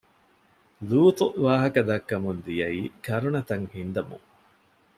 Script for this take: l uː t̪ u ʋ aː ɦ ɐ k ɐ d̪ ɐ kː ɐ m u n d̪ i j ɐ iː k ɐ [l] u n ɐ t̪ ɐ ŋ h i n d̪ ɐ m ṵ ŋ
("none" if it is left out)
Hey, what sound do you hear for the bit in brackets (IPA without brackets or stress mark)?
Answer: ɾ